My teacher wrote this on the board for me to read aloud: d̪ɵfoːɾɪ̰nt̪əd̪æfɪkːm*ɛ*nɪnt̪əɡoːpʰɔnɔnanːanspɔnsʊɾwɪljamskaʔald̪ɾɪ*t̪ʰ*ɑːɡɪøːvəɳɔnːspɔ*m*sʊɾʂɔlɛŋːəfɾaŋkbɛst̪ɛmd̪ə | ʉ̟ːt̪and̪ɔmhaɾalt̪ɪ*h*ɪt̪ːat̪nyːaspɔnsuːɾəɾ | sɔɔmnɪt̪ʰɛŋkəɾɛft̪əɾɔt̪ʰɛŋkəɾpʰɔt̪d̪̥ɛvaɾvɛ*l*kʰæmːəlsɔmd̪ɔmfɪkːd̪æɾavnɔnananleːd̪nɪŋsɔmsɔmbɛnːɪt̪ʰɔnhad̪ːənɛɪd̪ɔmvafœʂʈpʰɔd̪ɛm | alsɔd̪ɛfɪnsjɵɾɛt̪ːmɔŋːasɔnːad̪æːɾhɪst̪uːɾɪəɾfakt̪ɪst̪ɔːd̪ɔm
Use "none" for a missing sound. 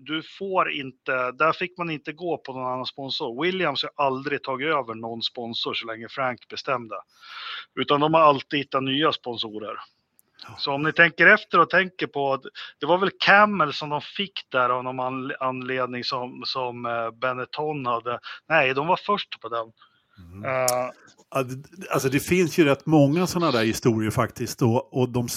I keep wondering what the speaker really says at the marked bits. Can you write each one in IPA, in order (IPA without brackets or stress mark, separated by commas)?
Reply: a, t̪ʰ, n, h, l